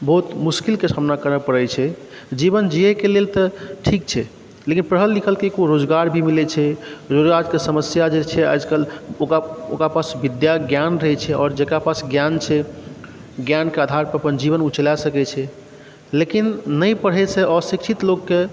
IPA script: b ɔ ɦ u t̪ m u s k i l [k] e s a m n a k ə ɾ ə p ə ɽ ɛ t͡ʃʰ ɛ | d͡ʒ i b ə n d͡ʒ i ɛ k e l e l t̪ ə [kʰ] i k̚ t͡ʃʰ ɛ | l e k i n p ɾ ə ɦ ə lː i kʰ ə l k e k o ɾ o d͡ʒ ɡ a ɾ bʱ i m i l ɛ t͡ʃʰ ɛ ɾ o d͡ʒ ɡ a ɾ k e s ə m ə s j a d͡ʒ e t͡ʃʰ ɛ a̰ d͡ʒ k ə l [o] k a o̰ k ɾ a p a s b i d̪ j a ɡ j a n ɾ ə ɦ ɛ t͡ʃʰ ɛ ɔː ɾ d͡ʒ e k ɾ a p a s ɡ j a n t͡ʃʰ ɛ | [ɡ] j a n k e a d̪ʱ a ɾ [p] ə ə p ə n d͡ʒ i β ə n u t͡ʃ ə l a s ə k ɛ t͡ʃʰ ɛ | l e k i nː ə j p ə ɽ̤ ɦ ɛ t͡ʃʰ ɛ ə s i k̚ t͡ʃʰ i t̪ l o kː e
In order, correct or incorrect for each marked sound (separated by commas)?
correct, incorrect, correct, correct, correct